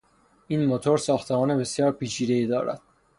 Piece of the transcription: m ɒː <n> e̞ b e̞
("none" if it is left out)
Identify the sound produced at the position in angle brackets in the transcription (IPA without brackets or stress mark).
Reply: n